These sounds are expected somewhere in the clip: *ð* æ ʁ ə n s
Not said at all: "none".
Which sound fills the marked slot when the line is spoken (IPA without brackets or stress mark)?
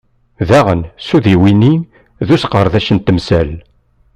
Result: ð